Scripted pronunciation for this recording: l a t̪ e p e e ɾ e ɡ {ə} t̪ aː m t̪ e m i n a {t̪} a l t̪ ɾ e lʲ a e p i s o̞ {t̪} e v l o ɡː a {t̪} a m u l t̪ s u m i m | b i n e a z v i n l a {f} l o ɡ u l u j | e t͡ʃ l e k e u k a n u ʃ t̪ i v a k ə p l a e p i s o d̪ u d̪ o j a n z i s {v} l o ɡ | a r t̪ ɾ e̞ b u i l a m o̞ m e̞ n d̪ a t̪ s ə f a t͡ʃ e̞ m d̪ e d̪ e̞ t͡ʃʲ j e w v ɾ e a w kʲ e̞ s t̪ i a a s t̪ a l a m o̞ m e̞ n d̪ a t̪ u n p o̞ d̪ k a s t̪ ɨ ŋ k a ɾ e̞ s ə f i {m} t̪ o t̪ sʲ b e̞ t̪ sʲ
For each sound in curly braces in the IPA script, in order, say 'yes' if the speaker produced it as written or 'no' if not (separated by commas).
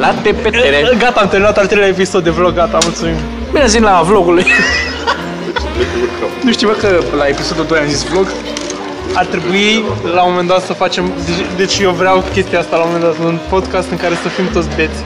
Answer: no, yes, no, yes, no, yes, yes